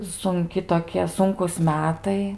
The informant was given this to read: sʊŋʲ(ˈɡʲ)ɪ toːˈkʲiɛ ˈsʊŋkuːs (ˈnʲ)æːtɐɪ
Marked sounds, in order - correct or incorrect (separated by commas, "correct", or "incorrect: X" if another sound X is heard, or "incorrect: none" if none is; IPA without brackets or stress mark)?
incorrect: kʲ, incorrect: mʲ